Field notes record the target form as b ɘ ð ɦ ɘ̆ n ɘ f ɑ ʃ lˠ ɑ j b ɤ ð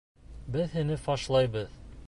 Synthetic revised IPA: b ɘ ð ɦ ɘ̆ n ɘ f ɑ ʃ lˠ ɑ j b ɤ ð